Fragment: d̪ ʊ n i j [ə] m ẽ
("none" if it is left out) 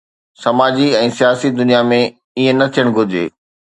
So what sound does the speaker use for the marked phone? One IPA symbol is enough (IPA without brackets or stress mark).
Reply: a